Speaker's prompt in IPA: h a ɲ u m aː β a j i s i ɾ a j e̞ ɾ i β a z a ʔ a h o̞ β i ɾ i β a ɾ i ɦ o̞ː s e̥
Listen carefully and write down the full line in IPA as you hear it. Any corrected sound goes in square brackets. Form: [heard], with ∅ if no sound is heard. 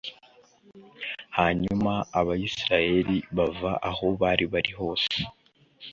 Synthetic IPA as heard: h a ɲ u m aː β a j i s i ɾ a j e̞ ɾ i β a [v] a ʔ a h o̞ β [a] ɾ i β a ɾ i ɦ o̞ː s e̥